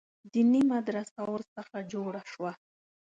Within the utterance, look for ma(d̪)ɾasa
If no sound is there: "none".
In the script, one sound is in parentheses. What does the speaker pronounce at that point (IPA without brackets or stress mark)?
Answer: d̪